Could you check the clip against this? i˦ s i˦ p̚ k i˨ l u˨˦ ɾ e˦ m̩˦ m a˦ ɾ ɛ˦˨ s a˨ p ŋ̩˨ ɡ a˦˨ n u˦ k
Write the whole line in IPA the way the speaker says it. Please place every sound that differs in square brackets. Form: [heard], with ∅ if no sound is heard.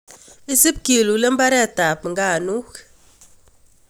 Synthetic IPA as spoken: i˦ s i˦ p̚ k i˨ l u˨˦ [l] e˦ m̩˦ [b] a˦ ɾ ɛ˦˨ [t] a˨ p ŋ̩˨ ɡ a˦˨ n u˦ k

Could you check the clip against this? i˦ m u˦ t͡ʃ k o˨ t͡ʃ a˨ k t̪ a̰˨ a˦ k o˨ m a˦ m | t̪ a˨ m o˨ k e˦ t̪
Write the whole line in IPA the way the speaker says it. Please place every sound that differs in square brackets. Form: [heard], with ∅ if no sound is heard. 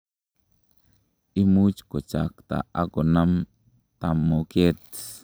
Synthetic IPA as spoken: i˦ m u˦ t͡ʃ k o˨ t͡ʃ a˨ k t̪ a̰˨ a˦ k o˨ [n] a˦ m | t̪ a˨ m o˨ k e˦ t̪

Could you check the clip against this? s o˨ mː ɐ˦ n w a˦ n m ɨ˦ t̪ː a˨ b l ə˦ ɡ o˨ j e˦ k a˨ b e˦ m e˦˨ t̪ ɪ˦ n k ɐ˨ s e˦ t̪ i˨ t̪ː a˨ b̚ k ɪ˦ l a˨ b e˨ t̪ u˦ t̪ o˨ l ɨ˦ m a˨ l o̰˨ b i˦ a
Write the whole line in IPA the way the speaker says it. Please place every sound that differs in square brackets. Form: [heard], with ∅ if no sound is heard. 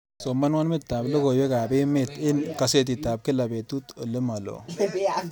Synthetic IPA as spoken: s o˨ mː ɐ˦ n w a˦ n m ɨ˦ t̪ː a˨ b l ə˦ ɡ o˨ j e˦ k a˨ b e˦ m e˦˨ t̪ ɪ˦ n k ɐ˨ s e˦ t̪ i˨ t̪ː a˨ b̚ k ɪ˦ l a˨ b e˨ t̪ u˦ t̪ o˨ l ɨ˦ m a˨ l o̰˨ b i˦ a

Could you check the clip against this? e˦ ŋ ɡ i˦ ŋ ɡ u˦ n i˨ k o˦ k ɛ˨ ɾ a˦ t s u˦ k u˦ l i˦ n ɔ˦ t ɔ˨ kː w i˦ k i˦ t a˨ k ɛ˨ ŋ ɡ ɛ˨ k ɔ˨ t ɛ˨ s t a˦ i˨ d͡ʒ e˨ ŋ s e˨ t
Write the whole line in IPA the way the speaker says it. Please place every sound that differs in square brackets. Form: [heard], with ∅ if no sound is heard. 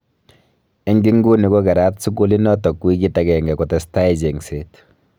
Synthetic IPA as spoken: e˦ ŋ ɡ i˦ ŋ ɡ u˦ n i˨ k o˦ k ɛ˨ ɾ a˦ t s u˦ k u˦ l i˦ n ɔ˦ t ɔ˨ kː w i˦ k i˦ t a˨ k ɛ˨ ŋ ɡ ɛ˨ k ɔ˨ t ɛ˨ s t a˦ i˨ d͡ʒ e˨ ŋ s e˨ t

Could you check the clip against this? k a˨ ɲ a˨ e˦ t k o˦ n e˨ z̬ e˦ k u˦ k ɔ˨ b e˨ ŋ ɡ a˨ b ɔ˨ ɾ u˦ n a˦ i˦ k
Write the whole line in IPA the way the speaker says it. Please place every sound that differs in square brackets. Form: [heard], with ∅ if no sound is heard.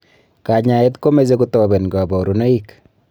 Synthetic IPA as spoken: k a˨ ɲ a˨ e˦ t k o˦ [m] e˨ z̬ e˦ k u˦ [t] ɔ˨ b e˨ [n] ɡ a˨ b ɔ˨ ɾ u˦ n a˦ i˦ k

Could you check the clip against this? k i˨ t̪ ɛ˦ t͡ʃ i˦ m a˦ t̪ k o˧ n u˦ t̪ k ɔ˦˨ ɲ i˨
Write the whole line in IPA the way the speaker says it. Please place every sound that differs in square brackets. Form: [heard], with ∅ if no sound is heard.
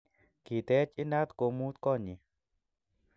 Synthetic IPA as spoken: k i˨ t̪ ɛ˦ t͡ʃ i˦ [n] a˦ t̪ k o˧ [m] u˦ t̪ k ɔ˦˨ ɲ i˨

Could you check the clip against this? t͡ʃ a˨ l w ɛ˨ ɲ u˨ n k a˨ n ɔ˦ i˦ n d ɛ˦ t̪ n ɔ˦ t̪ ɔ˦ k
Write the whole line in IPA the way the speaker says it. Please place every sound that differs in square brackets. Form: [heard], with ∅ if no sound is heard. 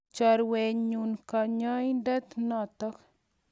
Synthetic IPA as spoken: t͡ʃ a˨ [ɾ] w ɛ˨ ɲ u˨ n k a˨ [ɲ] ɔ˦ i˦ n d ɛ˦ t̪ n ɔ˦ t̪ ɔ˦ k

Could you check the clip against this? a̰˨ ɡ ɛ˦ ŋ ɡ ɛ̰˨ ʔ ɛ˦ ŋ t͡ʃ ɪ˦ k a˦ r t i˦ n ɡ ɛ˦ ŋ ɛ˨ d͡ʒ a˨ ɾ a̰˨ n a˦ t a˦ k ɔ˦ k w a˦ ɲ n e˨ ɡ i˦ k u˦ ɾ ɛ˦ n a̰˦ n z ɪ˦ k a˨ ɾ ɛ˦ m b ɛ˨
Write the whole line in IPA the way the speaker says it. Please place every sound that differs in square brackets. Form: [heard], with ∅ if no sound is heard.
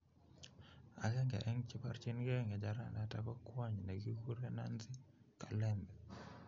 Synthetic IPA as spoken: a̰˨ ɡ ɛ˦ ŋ ɡ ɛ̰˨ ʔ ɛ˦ ŋ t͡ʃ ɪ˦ [p] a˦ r [t͡ʃ] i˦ n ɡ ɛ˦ ŋ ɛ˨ d͡ʒ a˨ ɾ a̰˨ n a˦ t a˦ k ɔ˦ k w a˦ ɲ n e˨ ɡ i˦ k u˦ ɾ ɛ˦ n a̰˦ n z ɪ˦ k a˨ [l] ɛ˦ m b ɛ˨

